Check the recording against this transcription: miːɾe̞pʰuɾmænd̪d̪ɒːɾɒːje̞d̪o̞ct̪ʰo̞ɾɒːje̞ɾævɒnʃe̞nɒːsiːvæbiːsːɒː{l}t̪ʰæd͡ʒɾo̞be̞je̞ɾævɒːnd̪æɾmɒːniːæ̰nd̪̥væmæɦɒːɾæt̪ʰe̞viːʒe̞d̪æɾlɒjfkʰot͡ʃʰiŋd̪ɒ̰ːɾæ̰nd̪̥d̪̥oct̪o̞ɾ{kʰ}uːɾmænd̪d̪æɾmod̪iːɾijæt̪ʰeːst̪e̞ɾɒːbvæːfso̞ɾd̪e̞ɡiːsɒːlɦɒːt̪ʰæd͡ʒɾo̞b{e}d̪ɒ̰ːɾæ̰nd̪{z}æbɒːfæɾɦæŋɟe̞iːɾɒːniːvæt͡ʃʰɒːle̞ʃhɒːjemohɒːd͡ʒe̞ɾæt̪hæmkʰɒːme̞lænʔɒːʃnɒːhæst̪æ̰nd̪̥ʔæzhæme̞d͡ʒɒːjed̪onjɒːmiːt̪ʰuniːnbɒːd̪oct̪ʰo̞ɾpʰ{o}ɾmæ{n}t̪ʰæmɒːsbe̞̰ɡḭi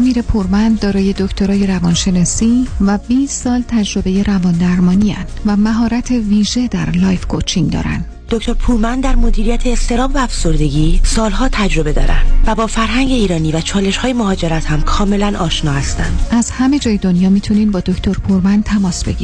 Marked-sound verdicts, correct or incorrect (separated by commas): correct, incorrect, correct, incorrect, incorrect, correct